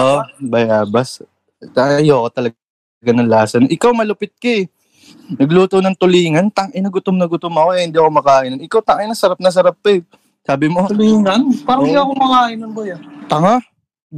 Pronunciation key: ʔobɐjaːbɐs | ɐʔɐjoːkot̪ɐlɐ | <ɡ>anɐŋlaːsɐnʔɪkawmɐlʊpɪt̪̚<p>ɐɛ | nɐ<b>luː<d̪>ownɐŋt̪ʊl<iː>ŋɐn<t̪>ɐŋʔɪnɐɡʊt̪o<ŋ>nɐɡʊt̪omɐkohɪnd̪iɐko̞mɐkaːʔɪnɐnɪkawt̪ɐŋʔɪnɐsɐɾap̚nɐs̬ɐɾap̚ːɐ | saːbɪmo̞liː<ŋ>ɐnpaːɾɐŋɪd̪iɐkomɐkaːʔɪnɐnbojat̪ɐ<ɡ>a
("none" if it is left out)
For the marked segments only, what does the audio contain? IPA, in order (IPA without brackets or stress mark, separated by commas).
ɡ, k, ɡ, t̪, iː, t̪, m, ŋ, ŋ